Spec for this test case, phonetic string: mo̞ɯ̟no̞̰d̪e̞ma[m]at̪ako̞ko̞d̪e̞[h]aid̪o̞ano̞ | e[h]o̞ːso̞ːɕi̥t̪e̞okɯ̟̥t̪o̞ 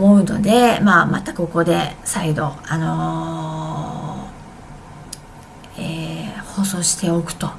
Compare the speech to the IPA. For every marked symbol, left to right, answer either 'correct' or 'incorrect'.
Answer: correct, incorrect: s, correct

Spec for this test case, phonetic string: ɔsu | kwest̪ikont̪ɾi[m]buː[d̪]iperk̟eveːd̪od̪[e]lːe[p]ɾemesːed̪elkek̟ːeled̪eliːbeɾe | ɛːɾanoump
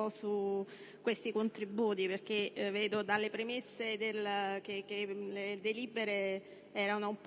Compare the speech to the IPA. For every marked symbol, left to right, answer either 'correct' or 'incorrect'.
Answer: incorrect: none, incorrect: t̪, incorrect: a, correct

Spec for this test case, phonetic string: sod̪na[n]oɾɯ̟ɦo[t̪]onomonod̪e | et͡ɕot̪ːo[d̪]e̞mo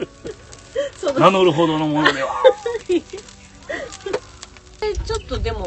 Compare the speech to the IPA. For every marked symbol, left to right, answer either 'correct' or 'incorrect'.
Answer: correct, incorrect: d̪, correct

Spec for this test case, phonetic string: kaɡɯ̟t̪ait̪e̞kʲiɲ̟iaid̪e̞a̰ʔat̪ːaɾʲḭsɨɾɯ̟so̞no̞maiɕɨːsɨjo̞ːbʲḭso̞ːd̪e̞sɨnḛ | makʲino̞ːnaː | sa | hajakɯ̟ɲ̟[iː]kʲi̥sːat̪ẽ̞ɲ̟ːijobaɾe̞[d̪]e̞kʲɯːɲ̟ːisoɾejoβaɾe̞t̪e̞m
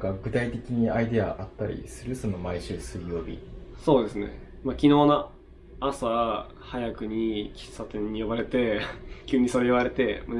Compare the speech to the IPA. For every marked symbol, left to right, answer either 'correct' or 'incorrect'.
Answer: incorrect: i, incorrect: t̪

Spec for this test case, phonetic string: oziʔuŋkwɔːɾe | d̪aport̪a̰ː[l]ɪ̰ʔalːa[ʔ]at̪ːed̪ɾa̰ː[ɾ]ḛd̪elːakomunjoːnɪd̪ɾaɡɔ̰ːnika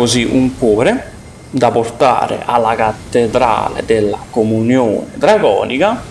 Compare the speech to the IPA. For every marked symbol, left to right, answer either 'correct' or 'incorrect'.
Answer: incorrect: ɾ, incorrect: k, incorrect: l

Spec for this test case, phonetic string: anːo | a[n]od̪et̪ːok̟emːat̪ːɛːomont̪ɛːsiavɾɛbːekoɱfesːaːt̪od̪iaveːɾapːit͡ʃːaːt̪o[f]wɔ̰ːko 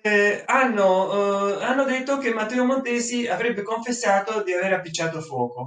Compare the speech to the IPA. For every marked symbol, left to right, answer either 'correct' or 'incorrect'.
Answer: incorrect: nː, correct

